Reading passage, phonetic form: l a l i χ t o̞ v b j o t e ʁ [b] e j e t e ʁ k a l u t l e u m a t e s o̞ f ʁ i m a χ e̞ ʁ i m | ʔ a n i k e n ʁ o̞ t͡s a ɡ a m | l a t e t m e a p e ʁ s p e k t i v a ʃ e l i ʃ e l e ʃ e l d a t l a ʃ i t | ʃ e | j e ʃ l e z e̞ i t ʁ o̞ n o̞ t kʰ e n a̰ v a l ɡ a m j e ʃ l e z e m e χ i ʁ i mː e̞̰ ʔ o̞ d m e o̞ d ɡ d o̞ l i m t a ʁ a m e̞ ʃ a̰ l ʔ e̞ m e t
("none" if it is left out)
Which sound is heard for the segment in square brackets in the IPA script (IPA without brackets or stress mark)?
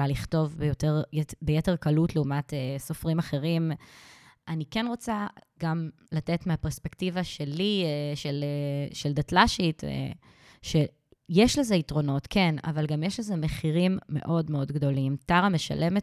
b